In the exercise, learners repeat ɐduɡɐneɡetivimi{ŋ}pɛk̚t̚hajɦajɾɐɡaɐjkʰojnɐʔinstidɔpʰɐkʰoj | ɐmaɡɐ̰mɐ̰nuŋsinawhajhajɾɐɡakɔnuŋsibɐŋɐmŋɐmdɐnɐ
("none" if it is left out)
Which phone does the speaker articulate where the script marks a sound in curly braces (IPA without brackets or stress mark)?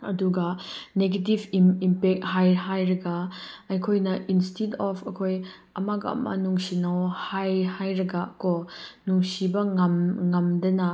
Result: m